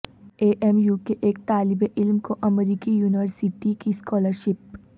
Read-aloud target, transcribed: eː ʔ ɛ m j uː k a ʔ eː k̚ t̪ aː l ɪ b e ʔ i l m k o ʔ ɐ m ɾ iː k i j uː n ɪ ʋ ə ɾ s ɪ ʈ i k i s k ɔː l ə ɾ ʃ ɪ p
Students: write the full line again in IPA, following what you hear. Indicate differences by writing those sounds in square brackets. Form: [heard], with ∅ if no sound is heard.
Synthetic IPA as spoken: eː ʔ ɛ m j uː k [e] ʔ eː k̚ t̪ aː l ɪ b e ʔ [ɪ] l m k o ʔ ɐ m ɾ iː k i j uː n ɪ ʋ ə ɾ s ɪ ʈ i k i s k ɔː l ə ɾ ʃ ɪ p